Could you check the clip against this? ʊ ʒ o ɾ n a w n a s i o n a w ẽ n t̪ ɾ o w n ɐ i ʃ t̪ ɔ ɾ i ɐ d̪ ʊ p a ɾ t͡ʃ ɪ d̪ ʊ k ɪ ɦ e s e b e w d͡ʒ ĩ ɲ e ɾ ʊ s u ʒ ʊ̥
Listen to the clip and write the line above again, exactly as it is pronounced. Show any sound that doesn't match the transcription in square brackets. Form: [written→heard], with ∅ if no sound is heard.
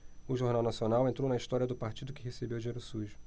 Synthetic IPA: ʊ ʒ o ɾ n a w n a s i o n a w ẽ n t̪ ɾ o w n ɐ i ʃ t̪ ɔ ɾ i ɐ d̪ ʊ p a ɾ t͡ʃ [ɪ→i] d̪ ʊ k ɪ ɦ e s e b e w d͡ʒ [ĩ→i] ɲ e ɾ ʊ s u ʒ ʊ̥